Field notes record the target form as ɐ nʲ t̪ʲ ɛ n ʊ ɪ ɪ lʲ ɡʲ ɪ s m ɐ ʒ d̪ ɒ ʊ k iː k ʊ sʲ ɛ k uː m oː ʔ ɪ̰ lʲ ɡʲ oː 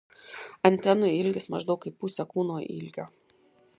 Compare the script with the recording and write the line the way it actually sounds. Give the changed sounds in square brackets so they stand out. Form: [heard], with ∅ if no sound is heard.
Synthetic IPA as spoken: ɐ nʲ t̪ʲ ɛ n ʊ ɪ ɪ lʲ ɡʲ ɪ s m ɐ ʒ d̪ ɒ ʊ k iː [p] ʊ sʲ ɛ k uː [n] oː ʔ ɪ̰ lʲ ɡʲ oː